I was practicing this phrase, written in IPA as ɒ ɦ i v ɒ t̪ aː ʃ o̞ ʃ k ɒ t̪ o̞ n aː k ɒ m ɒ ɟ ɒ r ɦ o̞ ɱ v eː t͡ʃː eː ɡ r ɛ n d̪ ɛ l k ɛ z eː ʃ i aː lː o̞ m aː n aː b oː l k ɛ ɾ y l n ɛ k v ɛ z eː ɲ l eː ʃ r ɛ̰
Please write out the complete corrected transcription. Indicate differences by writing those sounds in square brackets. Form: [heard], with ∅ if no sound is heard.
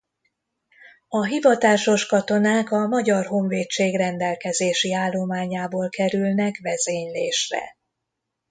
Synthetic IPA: ɒ ɦ i v ɒ t̪ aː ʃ o̞ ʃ k ɒ t̪ o̞ n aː k ɒ m ɒ ɟ ɒ r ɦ o̞ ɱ v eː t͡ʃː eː ɡ r ɛ n d̪ ɛ l k ɛ z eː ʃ i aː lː o̞ m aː [ɲ] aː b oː l k ɛ ɾ y l n ɛ k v ɛ z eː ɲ l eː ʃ r ɛ̰